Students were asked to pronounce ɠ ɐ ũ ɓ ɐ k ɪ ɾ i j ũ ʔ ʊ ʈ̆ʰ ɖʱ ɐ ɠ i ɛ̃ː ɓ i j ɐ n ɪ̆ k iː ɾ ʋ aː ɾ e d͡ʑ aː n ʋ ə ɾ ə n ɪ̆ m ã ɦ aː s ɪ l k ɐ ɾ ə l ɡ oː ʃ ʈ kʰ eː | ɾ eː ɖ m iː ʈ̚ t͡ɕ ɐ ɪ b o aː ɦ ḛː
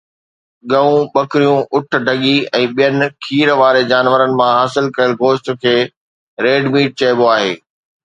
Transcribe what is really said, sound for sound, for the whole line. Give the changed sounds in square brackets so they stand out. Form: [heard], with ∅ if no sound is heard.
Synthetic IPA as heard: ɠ ɐ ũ ɓ ɐ k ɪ ɾ i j ũ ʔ ʊ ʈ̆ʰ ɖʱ ɐ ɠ i ɛ̃ː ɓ i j [ə] n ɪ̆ [kʰ] iː ɾ ʋ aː ɾ e d͡ʑ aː n ʋ ə ɾ ə n ɪ̆ m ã ɦ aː s ɪ l k ɐ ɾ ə l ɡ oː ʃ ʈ kʰ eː | ɾ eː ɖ m iː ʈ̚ t͡ɕ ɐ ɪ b o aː ɦ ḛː